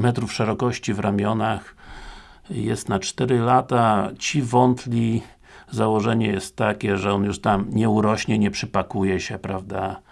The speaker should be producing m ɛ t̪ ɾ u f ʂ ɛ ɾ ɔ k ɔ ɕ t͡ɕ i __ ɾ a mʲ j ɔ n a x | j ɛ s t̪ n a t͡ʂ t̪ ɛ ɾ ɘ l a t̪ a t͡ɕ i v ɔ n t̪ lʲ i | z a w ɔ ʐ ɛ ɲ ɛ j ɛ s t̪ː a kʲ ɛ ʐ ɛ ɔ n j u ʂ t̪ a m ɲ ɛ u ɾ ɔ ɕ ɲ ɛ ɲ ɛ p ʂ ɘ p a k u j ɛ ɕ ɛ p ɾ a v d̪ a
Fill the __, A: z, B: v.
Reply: B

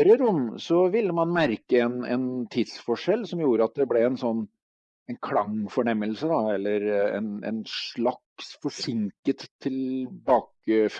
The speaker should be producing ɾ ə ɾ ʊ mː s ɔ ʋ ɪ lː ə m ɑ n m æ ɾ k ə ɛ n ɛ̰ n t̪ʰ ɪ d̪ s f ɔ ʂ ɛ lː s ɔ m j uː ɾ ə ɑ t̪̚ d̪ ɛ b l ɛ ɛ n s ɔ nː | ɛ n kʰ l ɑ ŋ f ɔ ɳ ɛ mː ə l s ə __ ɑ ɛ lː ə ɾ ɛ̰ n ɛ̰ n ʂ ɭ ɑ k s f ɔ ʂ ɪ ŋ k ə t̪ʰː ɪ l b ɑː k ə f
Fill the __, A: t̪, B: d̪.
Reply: B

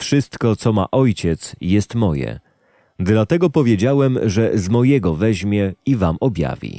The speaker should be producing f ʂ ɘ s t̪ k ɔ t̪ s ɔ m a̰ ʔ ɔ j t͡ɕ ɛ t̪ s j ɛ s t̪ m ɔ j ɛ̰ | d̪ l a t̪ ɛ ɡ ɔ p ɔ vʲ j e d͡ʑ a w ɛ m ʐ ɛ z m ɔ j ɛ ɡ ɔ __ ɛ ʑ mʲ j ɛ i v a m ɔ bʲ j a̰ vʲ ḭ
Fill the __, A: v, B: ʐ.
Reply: A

